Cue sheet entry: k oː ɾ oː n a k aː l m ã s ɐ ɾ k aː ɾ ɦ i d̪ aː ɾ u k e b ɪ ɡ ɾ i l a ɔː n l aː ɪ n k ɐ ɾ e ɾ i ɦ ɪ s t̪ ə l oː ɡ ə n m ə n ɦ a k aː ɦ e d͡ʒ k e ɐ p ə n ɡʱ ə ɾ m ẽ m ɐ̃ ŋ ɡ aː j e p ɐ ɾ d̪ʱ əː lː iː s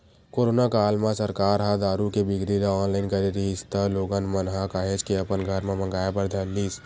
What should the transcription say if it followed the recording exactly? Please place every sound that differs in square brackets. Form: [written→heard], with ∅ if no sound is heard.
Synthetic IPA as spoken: k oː ɾ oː n a k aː l m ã s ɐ ɾ k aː ɾ ɦ [i→a] d̪ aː ɾ u k e b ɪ ɡ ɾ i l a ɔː n l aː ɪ n k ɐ ɾ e ɾ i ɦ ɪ s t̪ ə l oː ɡ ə n m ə n ɦ a k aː ɦ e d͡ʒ k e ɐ p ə n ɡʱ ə ɾ m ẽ m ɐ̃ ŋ ɡ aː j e p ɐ ɾ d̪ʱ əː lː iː s